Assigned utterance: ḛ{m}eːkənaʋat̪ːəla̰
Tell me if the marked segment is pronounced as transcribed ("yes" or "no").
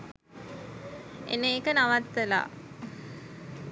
no